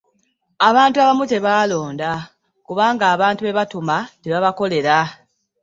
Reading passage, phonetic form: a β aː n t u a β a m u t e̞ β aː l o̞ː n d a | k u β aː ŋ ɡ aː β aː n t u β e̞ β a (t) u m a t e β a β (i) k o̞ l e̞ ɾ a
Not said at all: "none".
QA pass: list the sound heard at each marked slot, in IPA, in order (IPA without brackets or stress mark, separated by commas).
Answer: t, a